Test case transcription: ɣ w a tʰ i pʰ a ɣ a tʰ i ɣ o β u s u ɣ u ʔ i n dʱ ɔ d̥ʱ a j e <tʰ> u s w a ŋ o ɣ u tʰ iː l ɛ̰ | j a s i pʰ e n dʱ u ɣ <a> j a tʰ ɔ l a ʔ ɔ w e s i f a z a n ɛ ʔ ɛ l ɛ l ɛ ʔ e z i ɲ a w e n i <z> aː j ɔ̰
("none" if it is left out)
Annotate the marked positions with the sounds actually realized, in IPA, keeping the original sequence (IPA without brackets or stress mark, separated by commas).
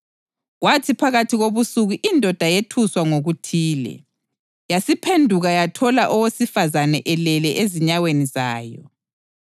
tʰ, a, z